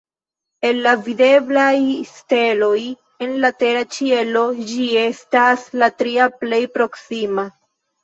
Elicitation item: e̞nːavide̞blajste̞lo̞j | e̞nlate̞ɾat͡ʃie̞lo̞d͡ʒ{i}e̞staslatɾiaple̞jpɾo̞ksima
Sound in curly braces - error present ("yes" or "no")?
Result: no